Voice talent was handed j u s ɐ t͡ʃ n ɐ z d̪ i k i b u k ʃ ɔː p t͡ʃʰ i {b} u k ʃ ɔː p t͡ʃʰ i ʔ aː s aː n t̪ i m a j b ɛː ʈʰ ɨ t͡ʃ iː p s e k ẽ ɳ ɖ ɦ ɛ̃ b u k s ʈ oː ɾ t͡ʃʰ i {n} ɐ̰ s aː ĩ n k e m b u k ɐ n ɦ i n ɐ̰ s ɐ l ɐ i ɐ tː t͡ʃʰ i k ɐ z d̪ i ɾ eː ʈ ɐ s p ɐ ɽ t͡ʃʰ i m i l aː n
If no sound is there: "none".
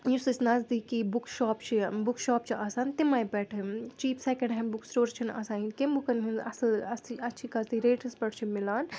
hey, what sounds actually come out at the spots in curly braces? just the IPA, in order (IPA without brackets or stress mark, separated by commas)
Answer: b, n